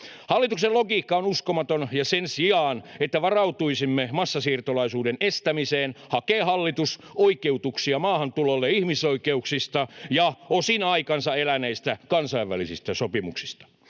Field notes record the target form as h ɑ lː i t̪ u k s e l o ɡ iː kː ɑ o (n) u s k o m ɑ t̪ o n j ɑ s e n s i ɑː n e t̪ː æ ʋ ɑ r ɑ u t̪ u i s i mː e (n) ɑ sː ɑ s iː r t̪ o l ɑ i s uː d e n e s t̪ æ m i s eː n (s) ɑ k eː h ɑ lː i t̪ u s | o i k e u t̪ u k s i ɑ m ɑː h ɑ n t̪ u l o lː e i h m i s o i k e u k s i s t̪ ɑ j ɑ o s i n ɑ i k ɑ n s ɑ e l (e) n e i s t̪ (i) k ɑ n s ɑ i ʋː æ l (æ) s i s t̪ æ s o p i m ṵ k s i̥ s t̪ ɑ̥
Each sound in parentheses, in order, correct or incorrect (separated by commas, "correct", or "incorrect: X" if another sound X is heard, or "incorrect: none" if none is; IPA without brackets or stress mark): correct, incorrect: m, incorrect: h, incorrect: æ, incorrect: æ, incorrect: i